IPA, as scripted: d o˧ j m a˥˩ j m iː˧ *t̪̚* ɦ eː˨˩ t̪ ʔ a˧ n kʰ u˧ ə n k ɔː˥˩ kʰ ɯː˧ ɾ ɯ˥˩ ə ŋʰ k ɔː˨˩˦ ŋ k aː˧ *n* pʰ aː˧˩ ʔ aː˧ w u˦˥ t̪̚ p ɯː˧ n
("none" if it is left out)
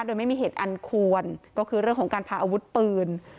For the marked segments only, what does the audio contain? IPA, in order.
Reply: none, n

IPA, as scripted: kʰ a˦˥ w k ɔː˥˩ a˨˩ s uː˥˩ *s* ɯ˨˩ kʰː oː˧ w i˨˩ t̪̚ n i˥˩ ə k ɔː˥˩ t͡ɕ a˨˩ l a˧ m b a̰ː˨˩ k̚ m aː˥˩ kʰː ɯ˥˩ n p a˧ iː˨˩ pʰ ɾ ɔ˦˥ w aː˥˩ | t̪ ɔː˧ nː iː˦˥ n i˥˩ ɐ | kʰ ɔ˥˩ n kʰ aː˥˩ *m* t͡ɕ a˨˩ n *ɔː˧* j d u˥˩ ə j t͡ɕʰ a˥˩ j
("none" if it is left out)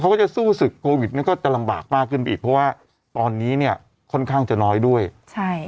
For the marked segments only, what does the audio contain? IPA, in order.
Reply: s, ŋ, ɔː˦˥

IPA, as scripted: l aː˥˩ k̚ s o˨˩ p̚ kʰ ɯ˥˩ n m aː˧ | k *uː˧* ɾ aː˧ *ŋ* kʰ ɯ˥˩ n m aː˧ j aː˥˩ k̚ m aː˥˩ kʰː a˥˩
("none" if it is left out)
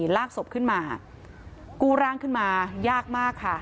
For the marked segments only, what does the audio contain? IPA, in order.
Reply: uː˧, ŋ

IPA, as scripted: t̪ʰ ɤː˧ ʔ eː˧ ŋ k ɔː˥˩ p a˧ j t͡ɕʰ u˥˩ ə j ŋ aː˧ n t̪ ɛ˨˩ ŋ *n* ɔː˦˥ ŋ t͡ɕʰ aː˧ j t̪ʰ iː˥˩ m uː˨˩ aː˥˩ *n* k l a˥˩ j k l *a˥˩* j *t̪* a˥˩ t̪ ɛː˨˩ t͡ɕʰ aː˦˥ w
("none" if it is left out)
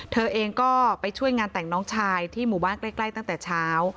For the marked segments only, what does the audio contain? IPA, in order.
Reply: n, n, a˥˩, t̪

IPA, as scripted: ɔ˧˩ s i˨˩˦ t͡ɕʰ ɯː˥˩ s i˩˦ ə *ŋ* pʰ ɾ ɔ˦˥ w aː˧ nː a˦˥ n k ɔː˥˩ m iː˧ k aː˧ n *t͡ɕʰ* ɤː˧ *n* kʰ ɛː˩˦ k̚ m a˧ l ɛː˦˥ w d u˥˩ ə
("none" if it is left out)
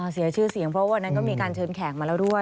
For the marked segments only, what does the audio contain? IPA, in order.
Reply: ŋ, t͡ɕʰ, n

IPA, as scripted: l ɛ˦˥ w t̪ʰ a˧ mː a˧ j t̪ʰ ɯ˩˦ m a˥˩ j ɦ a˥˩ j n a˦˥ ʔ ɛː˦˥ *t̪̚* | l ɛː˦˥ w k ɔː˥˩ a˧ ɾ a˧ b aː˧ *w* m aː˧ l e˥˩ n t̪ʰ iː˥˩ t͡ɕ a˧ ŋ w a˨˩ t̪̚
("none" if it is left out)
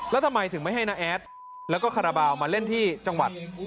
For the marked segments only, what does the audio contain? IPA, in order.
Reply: t̪̚, w

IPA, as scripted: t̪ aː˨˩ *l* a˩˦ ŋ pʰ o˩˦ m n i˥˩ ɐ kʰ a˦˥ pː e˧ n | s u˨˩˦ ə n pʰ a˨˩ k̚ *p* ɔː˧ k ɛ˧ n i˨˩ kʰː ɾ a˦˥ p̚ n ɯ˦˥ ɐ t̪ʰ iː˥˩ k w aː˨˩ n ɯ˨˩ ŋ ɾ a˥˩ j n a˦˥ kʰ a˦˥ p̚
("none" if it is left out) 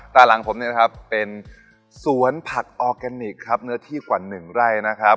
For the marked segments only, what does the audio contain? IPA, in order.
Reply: l, ʔ

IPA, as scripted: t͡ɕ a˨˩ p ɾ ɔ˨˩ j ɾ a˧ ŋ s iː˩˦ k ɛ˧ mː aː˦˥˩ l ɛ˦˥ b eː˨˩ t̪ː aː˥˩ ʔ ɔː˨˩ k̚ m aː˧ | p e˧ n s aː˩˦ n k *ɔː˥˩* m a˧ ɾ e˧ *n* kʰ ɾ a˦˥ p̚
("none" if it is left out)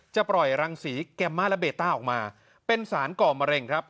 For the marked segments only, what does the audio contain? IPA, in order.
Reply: ɔː˨˩, ŋ

